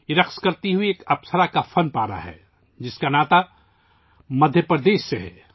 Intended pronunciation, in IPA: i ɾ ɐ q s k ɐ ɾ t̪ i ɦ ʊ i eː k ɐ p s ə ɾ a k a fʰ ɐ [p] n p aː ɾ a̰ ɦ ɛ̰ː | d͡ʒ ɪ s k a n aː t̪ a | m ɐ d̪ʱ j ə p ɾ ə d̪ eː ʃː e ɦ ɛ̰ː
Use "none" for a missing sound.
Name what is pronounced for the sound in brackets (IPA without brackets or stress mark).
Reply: none